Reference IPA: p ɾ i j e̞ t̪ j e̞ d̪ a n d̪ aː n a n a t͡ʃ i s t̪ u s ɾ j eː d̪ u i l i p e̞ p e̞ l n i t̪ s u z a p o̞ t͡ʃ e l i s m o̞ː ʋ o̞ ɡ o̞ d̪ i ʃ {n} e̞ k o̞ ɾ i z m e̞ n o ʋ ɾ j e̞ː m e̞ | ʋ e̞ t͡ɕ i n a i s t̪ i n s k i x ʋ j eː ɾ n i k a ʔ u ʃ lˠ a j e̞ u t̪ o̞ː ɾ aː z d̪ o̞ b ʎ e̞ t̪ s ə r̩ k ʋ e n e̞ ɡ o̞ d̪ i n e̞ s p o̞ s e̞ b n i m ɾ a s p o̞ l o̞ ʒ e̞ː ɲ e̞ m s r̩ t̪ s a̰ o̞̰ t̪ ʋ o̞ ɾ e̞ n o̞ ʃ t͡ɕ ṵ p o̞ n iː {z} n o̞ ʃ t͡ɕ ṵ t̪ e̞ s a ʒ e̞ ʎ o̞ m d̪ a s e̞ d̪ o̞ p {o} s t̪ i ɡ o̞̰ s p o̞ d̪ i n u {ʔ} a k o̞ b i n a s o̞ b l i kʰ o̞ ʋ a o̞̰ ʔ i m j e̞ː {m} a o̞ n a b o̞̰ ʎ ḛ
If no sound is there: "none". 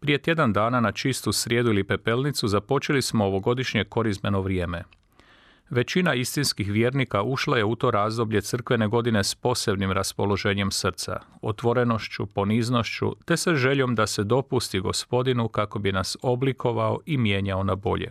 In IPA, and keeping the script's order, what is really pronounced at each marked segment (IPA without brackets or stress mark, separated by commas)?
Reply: ɲ, z, u, k, ɲ